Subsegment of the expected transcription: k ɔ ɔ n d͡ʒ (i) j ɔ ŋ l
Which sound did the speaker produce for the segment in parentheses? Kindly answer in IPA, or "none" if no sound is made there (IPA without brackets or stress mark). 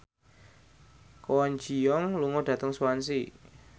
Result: i